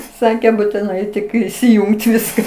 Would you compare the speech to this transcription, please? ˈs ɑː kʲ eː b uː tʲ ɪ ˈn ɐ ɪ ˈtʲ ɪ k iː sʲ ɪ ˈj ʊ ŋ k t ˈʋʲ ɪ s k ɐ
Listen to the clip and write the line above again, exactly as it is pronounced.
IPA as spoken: ˈs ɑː kʲ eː b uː tʲ ɪ ˈn ɐ ɪ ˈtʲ ɪ k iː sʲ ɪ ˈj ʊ ŋ k t ˈʋʲ ɪ s k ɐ